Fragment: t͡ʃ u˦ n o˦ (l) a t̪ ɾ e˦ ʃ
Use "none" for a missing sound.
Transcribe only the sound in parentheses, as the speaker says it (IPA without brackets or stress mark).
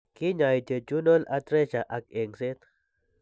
l